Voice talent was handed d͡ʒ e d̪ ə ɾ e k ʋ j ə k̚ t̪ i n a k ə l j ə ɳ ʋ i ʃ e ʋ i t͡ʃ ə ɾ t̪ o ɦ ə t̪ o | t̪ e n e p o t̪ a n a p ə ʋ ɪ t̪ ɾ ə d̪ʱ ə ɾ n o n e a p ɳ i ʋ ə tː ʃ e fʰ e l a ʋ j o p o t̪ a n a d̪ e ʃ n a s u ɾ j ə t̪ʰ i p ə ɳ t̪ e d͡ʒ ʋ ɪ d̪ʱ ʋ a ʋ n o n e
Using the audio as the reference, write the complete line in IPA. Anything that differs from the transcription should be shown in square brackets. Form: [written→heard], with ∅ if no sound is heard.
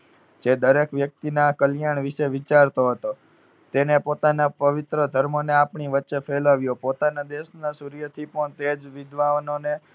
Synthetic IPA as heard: d͡ʒ e d̪ ə ɾ e k ʋ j ə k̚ t̪ i n a k ə l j [ə→a] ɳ ʋ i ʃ e ʋ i t͡ʃ [ə→a] ɾ t̪ o ɦ ə t̪ o | t̪ e n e p o t̪ a n a p ə ʋ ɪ t̪ ɾ ə d̪ʱ ə ɾ [n→m] o n e a p ɳ i ʋ ə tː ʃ e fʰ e l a ʋ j o p o t̪ a n a d̪ e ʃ n a s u ɾ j ə t̪ʰ i p ə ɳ t̪ e d͡ʒ ʋ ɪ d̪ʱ ʋ a ʋ n o n e